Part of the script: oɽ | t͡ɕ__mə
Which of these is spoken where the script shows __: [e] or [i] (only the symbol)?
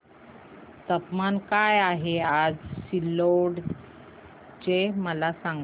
e